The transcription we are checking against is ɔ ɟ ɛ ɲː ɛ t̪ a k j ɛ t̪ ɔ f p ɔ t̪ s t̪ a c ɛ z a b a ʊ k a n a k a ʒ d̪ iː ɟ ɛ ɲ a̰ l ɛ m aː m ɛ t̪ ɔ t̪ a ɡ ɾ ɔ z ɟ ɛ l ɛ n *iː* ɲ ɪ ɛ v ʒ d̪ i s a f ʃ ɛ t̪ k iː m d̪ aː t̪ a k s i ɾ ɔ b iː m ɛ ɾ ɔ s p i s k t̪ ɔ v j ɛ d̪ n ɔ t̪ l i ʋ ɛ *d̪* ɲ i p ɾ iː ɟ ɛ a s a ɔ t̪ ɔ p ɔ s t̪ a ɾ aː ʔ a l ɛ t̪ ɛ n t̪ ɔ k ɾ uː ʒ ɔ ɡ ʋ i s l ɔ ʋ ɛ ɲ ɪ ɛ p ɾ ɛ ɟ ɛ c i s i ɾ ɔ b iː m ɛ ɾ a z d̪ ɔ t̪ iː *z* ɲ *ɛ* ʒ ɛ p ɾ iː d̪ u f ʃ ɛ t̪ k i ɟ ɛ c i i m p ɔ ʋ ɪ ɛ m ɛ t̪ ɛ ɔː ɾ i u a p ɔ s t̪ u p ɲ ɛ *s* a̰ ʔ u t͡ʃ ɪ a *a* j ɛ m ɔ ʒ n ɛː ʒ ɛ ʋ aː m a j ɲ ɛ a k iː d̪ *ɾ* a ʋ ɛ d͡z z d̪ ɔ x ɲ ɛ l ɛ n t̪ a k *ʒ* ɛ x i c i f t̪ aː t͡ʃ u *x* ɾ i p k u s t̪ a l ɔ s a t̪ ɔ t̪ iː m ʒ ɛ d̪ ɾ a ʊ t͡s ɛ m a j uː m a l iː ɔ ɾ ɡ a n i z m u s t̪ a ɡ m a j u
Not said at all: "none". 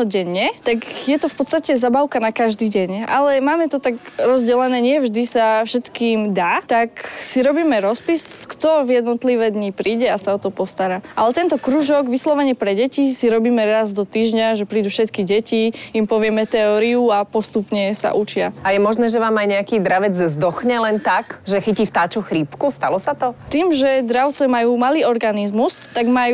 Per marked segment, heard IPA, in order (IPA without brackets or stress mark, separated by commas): ɛː, d̪, ʒ, a, s, a, ɾ, ʒ, x